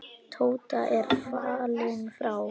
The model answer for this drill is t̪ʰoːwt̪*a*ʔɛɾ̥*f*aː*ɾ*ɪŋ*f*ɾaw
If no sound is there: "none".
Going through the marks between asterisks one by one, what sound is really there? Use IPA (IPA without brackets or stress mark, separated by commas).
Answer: a, f, l, f